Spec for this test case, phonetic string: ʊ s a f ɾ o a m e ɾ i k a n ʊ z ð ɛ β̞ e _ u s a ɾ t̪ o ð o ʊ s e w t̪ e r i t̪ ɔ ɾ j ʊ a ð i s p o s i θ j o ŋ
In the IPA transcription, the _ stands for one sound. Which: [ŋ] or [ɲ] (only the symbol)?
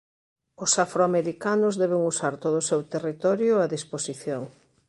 ŋ